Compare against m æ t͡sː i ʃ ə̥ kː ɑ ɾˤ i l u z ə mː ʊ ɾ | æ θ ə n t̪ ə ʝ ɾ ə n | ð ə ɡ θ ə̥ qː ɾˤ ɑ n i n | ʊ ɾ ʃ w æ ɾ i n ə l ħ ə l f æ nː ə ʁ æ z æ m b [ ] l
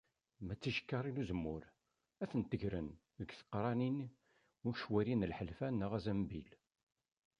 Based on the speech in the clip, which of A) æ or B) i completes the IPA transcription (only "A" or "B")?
B